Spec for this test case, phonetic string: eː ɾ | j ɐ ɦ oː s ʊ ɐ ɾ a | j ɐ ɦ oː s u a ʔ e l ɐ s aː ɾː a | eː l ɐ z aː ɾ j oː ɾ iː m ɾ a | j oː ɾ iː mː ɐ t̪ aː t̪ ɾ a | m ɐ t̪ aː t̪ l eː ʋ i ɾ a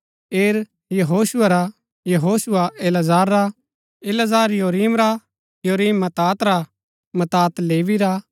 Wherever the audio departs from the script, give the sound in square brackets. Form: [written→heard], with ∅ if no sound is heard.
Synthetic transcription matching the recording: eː ɾ | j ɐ ɦ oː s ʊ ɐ ɾ a | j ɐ ɦ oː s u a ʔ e l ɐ [s→z] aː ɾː a | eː l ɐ z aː ɾ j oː ɾ iː m ɾ a | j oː ɾ iː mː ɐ t̪ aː t̪ ɾ a | m ɐ t̪ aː t̪ l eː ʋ i ɾ a